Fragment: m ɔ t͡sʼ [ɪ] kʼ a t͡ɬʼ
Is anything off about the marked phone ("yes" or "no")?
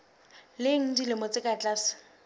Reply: no